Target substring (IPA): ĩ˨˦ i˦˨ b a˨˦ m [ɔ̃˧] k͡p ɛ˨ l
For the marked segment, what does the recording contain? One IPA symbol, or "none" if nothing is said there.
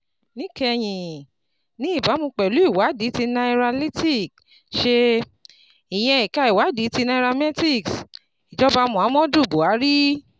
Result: ũ˧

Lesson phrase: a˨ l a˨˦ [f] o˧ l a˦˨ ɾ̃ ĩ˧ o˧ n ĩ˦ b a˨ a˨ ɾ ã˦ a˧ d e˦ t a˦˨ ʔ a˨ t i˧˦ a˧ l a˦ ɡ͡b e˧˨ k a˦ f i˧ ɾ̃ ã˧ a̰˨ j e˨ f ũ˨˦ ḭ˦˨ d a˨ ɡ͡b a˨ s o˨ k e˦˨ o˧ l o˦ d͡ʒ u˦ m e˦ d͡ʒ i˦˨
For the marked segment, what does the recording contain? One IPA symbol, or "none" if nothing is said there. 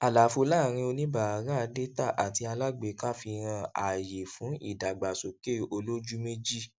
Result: f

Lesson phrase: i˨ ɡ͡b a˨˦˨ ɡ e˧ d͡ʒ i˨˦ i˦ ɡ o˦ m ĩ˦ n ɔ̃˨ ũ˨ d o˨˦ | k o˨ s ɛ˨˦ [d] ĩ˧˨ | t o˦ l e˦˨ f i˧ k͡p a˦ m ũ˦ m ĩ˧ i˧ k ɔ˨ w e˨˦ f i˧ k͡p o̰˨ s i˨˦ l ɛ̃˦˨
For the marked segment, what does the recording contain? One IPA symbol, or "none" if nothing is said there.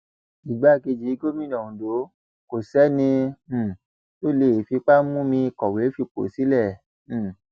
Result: n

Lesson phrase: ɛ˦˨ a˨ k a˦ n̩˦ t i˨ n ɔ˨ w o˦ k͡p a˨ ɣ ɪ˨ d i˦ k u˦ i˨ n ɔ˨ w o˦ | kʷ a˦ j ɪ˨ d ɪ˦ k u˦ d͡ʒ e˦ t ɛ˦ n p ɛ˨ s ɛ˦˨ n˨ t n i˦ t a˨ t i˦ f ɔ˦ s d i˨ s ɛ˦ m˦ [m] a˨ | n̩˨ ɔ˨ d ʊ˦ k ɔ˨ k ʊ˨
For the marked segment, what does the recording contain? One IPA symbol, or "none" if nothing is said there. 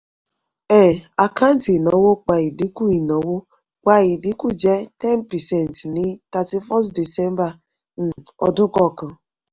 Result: b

